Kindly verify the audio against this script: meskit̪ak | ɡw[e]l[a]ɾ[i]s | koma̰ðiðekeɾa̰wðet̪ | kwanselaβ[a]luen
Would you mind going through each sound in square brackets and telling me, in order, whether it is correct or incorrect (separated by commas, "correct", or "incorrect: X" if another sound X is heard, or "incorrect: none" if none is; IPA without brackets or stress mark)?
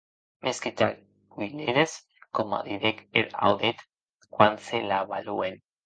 incorrect: i, incorrect: e, incorrect: e, correct